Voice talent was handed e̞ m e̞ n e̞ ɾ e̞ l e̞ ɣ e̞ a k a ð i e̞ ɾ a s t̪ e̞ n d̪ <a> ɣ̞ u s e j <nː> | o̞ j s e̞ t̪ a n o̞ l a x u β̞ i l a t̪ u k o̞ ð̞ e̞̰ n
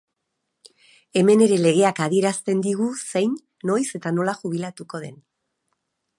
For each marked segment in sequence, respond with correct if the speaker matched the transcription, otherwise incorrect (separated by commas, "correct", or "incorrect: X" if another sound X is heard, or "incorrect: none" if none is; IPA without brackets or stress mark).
incorrect: i, correct